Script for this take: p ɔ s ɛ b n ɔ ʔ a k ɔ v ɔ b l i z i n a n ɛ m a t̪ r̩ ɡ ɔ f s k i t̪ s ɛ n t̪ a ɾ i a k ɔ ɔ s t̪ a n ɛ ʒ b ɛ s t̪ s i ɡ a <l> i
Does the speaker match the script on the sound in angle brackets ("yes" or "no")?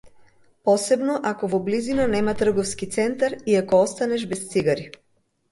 no